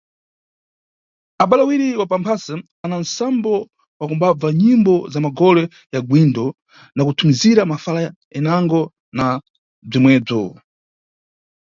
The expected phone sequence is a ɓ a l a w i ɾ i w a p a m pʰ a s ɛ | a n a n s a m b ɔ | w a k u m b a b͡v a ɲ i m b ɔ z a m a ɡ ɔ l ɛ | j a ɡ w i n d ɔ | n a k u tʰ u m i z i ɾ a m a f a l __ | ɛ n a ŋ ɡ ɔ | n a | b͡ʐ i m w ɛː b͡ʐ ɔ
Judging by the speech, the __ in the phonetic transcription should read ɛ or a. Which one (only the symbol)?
a